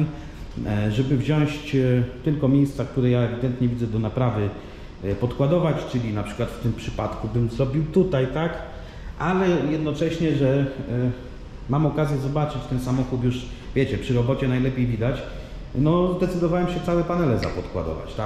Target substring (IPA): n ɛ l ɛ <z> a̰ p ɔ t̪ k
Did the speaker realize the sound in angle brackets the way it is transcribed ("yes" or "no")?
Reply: yes